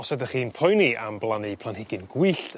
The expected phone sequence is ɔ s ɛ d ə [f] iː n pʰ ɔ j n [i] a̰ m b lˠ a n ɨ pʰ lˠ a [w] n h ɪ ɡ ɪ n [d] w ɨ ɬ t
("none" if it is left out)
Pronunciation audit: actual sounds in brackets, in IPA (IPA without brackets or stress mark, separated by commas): χ, i, none, ɡ